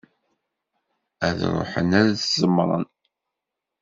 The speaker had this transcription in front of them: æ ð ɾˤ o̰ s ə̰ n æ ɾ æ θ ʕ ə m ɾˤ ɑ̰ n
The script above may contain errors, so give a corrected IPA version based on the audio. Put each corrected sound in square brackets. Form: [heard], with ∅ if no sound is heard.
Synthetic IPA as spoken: æ ð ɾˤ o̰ [ħ] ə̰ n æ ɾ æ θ [z] ə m ɾˤ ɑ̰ n